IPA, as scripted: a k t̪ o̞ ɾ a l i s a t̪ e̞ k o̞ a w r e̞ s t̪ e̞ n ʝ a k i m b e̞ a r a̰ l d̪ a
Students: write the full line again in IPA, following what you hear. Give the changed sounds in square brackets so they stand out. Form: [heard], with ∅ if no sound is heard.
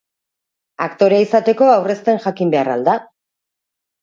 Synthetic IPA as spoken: a k t̪ o̞ ɾ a [∅] i s a t̪ e̞ k o̞ a w r e̞ s t̪ e̞ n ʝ a k i m b e̞ a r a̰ l d̪ a

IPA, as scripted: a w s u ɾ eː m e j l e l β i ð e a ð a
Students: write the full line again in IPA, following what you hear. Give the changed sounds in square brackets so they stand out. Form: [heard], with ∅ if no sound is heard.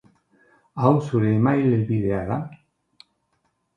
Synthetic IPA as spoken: a w s u ɾ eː m [a] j l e l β i ð e a ð a

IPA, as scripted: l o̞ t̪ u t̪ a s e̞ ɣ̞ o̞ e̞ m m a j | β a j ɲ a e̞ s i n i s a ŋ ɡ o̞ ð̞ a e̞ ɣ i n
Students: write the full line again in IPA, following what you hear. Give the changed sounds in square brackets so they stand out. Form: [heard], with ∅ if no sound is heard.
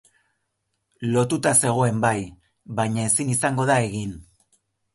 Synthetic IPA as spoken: l o̞ t̪ u t̪ a s e̞ ɣ̞ o̞ e̞ m [b] a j | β a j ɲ a e̞ s i n i s a ŋ ɡ o̞ ð̞ a e̞ ɣ i n

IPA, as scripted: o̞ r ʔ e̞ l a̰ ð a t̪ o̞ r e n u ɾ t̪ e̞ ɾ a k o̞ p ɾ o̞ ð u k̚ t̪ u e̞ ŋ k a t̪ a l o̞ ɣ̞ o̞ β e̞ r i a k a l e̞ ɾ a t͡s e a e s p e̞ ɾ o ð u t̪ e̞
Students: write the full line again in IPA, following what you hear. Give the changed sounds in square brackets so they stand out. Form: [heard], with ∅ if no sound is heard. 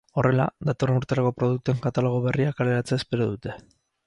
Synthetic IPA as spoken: o̞ r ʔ e̞ l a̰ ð a t̪ o̞ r e n u ɾ t̪ e̞ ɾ a k o̞ p ɾ o̞ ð u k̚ t̪ u e̞ ŋ k a t̪ a l o̞ ɣ̞ o̞ β e̞ r i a k a l e̞ ɾ a t͡s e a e s p e̞ ɾ o ð u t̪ e̞

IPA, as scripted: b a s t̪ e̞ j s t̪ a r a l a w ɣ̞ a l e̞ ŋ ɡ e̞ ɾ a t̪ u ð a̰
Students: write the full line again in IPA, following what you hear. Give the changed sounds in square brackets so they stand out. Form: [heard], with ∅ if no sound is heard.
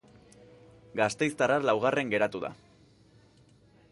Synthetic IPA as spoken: [ɡ] a s t̪ e̞ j s t̪ a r a l a w ɣ̞ a [r] e̞ ŋ ɡ e̞ ɾ a t̪ u ð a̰

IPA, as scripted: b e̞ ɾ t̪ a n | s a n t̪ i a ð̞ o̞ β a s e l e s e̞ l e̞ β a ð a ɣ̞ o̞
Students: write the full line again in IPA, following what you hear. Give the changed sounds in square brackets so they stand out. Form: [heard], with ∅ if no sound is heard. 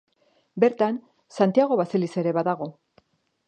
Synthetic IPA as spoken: b e̞ ɾ t̪ a n | s a n t̪ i a [ɣ̞] o̞ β a s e l [i] s e̞ [ɾ] e̞ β a ð a ɣ̞ o̞

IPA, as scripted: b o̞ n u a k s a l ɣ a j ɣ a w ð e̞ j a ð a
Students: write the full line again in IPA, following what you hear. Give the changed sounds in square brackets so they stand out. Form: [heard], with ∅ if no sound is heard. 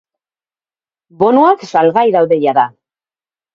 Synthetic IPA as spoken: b o̞ n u a k s a l ɣ a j [ð] a w ð e̞ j a ð a

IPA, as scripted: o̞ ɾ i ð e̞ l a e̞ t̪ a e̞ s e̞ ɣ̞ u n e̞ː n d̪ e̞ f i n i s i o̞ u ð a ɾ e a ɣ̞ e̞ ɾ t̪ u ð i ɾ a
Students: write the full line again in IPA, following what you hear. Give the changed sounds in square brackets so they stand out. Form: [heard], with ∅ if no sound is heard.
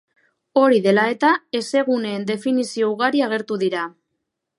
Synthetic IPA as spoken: o̞ ɾ i ð e̞ l a e̞ t̪ a e̞ s e̞ ɣ̞ u n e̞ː n d̪ e̞ f i n i s i o̞ u [ɣ] a ɾ [i] a ɣ̞ e̞ ɾ t̪ u ð i ɾ a

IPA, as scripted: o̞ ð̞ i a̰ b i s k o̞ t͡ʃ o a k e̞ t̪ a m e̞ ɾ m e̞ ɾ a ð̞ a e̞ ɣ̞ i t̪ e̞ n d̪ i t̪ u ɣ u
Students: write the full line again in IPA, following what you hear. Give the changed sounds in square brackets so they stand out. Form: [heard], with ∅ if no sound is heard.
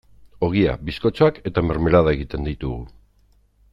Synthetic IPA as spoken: o̞ [ɣ̞] i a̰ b i s k o̞ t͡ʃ o a k e̞ t̪ a m e̞ ɾ m e̞ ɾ a ð̞ a e̞ ɣ̞ i t̪ e̞ n d̪ i t̪ u ɣ u

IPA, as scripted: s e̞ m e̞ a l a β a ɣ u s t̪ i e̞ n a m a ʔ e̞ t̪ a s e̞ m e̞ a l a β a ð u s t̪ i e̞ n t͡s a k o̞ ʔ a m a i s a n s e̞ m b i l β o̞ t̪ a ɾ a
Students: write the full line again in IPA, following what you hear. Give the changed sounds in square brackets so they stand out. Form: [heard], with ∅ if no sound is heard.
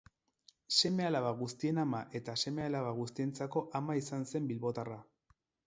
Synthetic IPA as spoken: s e̞ m e̞ a l a β a ɣ u s t̪ i e̞ n a m a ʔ e̞ t̪ a s e̞ m e̞ a l a β a [ɣ] u s t̪ i e̞ n t͡s a k o̞ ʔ a m a i s a n s e̞ m b i l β o̞ t̪ a [r] a

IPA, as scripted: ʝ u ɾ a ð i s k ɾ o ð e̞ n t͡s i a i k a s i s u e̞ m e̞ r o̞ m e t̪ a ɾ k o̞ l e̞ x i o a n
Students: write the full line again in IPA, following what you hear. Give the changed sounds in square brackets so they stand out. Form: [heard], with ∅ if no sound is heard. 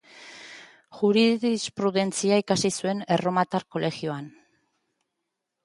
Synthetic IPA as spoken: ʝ u ɾ [i] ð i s [p] ɾ [u] ð e̞ n t͡s i a i k a s i s u e̞ [n] e̞ r o̞ m [a] t̪ a ɾ k o̞ l e̞ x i o a n

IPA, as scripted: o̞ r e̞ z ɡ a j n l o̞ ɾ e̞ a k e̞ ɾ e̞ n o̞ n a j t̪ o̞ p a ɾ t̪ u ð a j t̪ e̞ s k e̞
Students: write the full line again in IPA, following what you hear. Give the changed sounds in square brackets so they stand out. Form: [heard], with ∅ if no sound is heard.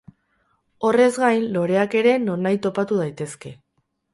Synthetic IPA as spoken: o̞ r e̞ z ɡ a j n l o̞ ɾ e̞ a k e̞ ɾ e̞ n o̞ n a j t̪ o̞ p a [∅] t̪ u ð a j t̪ e̞ s k e̞

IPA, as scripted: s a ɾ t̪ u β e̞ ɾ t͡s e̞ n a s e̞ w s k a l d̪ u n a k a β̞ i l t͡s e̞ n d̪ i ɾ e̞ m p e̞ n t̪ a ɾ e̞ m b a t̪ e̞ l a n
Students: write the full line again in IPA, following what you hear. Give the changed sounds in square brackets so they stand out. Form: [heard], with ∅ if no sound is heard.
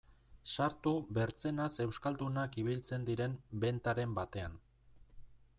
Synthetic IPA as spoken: s a ɾ t̪ u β e̞ ɾ t͡s e̞ n a s e̞ w s k a l d̪ u n a k [i] β̞ i l t͡s e̞ n d̪ i ɾ e̞ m [b] e̞ n t̪ a ɾ e̞ m b a t̪ e̞ [∅] a n

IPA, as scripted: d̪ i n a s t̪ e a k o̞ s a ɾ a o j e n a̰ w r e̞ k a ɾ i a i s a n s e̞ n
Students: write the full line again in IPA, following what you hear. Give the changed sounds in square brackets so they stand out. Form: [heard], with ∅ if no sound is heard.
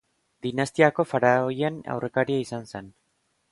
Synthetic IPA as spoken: d̪ i n a s t̪ [i] a k o̞ [f] a ɾ a o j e n a̰ w r e̞ k a ɾ i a i s a n s e̞ n

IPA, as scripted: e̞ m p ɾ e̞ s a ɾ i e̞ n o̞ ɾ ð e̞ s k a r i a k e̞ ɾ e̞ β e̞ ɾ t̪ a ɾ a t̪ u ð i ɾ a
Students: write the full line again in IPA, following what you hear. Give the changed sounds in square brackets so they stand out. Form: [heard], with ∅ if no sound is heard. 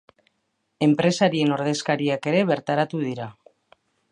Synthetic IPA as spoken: e̞ m p ɾ e̞ s a ɾ i e̞ n o̞ ɾ ð e̞ s k a [ɾ] i a k e̞ ɾ e̞ β e̞ ɾ t̪ a ɾ a t̪ u ð i ɾ a

